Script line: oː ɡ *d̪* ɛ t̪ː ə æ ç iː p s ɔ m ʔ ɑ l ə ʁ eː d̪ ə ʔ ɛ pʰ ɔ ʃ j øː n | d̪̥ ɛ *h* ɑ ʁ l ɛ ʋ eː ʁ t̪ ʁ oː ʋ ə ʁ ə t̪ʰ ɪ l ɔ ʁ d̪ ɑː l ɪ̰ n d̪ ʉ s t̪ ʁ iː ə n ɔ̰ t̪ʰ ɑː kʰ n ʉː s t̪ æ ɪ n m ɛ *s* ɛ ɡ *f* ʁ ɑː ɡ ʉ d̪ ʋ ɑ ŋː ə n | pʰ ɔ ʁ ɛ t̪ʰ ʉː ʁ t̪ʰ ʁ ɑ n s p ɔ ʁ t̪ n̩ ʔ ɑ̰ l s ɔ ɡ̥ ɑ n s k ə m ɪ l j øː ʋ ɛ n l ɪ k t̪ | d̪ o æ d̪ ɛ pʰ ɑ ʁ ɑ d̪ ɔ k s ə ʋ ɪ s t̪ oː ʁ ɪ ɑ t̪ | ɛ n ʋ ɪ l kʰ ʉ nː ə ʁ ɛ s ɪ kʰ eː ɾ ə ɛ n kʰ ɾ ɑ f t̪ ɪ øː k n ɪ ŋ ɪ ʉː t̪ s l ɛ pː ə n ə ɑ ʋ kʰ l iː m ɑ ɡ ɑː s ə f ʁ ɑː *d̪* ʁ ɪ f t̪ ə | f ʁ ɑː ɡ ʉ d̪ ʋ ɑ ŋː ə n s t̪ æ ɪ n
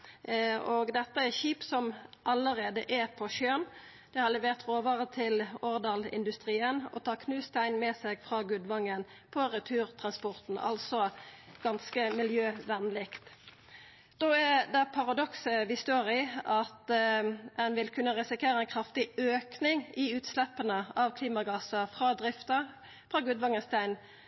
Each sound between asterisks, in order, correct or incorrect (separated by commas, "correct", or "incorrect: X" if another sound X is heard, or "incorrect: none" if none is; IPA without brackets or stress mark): correct, correct, correct, correct, correct